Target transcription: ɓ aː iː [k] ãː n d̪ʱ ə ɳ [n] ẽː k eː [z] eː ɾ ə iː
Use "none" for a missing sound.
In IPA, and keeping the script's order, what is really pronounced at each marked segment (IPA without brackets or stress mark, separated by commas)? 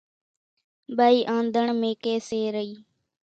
ʔ, m, s